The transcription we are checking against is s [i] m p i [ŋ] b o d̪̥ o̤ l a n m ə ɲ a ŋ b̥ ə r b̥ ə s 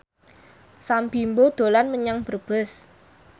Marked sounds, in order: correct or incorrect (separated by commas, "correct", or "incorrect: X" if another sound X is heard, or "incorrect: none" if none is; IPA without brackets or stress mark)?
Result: incorrect: a, incorrect: m